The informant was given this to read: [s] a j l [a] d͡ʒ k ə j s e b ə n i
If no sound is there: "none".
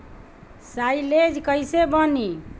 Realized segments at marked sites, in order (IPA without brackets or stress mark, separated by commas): s, e